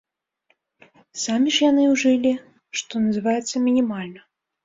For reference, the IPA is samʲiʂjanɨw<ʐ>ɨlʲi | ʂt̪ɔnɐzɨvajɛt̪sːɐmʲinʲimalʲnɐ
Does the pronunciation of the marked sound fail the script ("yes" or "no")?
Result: no